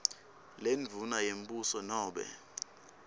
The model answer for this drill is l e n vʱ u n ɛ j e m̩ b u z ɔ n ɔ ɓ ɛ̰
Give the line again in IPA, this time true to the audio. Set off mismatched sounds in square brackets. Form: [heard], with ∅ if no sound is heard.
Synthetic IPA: l e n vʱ u n [a] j e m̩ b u [s] ɔ n [ɔː] ɓ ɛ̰